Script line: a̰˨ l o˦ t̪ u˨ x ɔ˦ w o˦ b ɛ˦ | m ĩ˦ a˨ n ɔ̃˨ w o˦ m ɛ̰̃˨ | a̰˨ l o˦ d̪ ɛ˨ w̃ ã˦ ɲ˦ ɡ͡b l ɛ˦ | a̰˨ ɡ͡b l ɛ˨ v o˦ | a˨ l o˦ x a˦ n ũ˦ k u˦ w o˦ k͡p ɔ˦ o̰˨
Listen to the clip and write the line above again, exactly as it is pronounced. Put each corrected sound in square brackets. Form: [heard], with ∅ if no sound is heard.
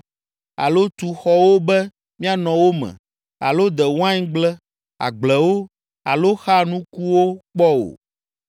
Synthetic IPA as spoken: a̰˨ l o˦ t̪ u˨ x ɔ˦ w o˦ b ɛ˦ | m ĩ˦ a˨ n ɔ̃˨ w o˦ m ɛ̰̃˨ | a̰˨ l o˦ d̪ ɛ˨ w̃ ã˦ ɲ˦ ɡ͡b l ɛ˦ | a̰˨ ɡ͡b l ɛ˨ [w] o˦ | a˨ l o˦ x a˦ n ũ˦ k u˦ w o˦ k͡p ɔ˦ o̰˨